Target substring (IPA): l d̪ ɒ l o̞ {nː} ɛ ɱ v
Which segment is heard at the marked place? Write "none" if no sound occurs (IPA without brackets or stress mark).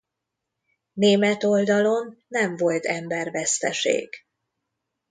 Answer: nː